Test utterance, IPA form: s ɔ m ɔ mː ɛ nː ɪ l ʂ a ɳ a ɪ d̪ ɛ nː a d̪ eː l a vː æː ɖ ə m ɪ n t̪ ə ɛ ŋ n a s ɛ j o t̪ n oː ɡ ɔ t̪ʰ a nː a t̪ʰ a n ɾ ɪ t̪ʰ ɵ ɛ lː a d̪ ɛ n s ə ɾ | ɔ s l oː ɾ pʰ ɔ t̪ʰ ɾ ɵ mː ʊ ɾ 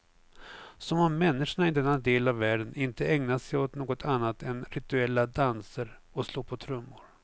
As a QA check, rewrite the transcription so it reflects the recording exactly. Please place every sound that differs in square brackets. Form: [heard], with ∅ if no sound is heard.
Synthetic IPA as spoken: s ɔ m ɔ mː ɛ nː ɪ [∅] ʂ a ɳ a ɪ d̪ ɛ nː a d̪ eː l a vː æː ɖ ə [n] ɪ n t̪ ə ɛ ŋ n a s ɛ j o t̪ n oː ɡ ɔ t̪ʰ a nː a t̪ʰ [ɛ] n ɾ ɪ [t̪] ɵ ɛ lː a d̪ [a] n s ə ɾ | ɔ s l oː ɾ pʰ ɔ t̪ʰ ɾ ɵ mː ʊ ɾ